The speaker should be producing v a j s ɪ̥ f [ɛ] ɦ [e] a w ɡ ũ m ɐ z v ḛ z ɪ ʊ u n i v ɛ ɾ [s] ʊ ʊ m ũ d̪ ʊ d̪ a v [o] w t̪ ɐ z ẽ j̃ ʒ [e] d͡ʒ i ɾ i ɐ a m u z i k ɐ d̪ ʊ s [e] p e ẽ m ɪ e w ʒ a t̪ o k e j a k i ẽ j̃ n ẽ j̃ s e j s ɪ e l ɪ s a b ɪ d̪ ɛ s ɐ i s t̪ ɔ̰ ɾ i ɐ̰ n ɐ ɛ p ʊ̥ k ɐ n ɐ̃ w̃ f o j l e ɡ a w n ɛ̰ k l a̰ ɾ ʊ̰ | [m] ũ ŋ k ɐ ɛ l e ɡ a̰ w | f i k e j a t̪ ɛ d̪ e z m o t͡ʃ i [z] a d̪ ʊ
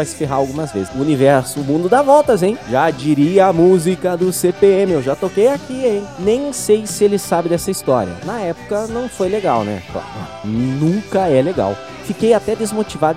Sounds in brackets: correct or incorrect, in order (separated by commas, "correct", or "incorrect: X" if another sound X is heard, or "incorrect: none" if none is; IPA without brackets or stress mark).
incorrect: e, incorrect: a, correct, incorrect: ɔ, incorrect: a, correct, incorrect: n, incorrect: v